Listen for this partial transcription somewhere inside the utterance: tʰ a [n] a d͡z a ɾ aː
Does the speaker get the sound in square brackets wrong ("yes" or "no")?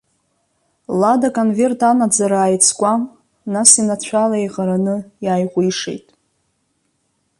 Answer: no